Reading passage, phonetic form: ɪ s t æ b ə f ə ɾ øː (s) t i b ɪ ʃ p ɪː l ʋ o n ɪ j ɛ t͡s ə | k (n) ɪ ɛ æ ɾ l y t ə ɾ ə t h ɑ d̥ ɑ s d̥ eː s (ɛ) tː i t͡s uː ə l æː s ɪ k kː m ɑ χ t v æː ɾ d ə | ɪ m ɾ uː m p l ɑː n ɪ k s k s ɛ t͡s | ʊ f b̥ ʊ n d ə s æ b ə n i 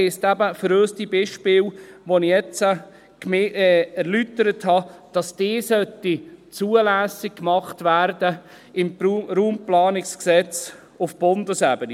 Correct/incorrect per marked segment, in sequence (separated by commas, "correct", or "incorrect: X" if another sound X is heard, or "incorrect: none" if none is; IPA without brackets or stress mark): correct, incorrect: m, incorrect: œ